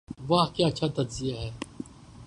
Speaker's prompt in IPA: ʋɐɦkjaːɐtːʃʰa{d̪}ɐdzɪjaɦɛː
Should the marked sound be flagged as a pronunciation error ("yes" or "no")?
yes